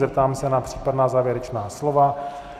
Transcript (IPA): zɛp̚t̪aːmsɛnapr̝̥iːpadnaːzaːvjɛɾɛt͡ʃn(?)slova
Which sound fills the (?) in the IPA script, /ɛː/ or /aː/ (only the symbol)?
aː